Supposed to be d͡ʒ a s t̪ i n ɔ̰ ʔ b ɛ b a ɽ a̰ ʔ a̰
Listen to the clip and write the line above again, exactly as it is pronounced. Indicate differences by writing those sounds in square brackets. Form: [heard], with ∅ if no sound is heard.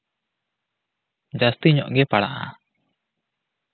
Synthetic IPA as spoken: d͡ʒ a s t̪ i [ɲ] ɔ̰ ʔ [ɡ] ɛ [p] a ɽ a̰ ʔ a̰